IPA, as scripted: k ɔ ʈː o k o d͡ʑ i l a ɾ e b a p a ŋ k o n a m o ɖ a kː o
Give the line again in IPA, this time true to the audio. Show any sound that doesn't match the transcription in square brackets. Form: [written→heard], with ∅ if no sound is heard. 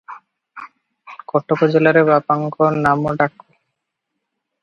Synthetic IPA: k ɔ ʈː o k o d͡ʑ [i→e] l a ɾ e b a p a ŋ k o n a m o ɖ a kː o